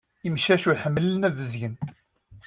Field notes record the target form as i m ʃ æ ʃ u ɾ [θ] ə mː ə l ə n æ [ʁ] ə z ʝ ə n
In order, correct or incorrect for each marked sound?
incorrect, incorrect

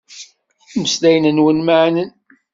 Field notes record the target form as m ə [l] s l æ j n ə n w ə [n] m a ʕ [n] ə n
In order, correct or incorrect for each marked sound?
incorrect, correct, correct

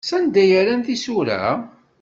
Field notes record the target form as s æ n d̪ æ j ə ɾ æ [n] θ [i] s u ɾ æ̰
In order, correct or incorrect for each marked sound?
correct, correct

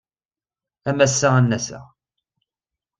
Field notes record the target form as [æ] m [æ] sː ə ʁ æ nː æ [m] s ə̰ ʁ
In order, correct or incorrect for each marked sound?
correct, correct, incorrect

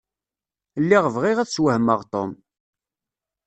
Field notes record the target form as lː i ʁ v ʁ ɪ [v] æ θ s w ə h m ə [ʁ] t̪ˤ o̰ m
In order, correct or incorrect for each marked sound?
incorrect, correct

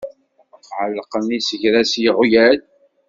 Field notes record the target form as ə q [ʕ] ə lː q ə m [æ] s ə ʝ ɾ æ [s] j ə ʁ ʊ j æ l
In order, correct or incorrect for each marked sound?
correct, incorrect, correct

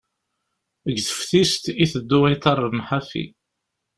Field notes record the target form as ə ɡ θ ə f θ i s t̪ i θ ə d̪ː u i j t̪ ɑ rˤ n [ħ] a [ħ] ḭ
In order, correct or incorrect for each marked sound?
correct, incorrect

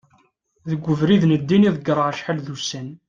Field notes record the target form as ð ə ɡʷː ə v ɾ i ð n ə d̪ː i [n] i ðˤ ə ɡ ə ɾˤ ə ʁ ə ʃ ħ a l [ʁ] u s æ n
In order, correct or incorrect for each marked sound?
correct, incorrect

